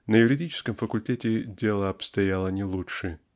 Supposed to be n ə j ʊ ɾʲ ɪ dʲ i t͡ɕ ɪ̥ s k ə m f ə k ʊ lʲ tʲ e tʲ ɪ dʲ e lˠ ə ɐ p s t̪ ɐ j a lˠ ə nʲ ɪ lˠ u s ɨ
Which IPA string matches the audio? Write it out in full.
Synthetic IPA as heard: n ə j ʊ ɾʲ ɪ dʲ i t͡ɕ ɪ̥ s k ə m f ə k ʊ lʲ tʲ e tʲ ɪ dʲ e lˠ ə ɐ p s t̪ ɐ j a lˠ ə nʲ ɪ lˠ u ʂ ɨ